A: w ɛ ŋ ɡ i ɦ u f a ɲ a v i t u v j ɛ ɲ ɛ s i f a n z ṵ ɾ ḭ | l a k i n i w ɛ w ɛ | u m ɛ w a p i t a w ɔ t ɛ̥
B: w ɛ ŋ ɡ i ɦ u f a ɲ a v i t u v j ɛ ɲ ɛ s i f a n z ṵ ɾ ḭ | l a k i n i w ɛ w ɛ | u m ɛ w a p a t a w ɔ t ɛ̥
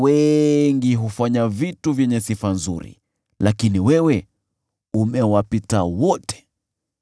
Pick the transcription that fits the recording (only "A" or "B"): A